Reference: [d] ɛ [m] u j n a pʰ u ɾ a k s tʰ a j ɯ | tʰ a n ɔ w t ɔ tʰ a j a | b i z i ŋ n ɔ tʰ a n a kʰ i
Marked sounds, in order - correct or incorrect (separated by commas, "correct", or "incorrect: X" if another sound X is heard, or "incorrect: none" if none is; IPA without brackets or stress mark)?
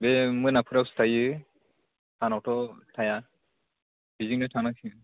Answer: incorrect: b, correct